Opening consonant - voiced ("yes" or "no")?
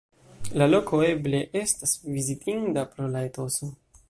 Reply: yes